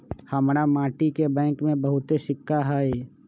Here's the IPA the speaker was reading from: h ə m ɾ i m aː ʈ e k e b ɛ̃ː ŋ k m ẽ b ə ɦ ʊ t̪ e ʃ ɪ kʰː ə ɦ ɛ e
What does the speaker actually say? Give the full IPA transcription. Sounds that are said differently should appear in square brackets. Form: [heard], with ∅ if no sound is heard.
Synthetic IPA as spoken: h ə m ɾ [a] m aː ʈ [i] k e b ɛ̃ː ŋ k m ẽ b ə ɦ ʊ t̪ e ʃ ɪ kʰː [a] ɦ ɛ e